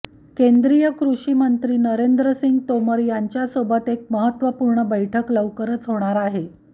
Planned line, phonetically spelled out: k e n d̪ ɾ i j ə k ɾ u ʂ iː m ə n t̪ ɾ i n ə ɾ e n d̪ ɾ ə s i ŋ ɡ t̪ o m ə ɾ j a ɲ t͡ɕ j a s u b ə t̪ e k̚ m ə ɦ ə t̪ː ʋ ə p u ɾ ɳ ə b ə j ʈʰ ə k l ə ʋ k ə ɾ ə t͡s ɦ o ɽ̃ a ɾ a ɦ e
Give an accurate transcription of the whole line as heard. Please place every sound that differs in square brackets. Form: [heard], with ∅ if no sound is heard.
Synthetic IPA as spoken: k e n d̪ ɾ i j ə k ɾ u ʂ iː m ə n t̪ ɾ [iː] n ə ɾ e n d̪ ɾ ə s i ŋ ɡ t̪ o m ə ɾ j a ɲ t͡ɕ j a s [o] b ə t̪ e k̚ m ə ɦ ə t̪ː ʋ ə p u ɾ ɳ ə b ə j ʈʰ ə k l ə ʋ k ə ɾ ə t͡s ɦ o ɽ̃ a ɾ a ɦ e